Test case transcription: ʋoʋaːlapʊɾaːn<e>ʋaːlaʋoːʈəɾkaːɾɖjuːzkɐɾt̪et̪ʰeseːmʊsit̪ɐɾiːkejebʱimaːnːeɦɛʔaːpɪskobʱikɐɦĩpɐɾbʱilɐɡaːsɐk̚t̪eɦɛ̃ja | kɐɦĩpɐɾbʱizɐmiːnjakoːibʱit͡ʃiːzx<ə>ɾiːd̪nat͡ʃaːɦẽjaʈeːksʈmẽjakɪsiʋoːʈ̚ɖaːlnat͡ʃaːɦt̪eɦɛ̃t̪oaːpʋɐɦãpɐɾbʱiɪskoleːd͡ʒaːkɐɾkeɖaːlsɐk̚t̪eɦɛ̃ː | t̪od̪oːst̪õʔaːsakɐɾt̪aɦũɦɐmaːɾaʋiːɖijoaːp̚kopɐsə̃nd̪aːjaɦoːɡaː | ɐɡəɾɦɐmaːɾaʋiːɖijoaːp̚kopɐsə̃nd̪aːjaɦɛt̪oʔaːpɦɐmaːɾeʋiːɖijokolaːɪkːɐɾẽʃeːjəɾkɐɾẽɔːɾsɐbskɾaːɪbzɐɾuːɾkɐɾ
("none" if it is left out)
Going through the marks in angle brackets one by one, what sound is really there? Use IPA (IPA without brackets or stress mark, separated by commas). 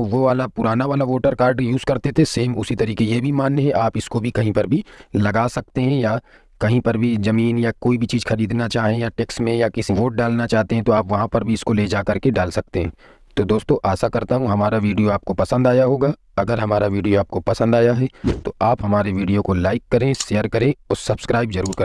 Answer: a, ɐ